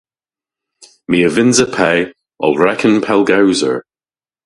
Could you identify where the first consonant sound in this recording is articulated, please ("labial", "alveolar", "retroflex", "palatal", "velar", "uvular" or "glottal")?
labial